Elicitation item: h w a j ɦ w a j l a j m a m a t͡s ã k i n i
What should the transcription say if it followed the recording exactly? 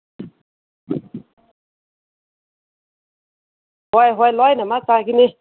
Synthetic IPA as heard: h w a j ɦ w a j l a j n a m a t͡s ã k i n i

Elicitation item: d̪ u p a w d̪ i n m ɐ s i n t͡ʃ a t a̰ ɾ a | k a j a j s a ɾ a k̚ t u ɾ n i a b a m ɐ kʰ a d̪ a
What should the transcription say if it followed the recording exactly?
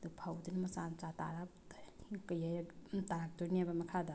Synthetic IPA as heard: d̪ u pʰ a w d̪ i n m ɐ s a n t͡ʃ a t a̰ ɾ a | k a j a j t a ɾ a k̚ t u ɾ n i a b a m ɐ kʰ a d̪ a

